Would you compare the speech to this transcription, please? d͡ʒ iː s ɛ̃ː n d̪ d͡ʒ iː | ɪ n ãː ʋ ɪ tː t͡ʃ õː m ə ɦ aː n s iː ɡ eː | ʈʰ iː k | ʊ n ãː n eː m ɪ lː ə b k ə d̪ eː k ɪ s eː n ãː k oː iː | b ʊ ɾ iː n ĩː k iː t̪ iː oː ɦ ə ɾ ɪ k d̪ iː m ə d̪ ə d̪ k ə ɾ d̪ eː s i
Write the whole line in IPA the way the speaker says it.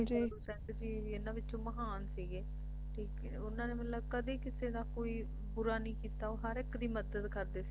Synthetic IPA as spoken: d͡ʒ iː s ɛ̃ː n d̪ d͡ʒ iː | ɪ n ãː ʋ ɪ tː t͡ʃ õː m ə ɦ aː n s iː ɡ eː | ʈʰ iː k | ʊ n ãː n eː m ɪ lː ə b k ə d̪ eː k ɪ s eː n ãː k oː iː | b ʊ ɾ aː n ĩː k iː t̪ aː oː ɦ ə ɾ ɪ k d̪ iː m ə d̪ ə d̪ k ə ɾ d̪ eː s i